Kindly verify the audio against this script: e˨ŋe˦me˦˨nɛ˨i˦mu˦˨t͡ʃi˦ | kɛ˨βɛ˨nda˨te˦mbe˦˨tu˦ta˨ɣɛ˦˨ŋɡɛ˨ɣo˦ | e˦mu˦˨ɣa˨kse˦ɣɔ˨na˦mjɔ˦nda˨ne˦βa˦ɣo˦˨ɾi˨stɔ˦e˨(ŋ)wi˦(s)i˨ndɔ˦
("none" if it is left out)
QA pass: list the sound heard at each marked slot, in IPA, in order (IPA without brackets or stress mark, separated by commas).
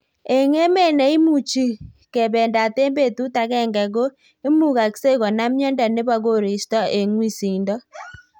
ŋ, s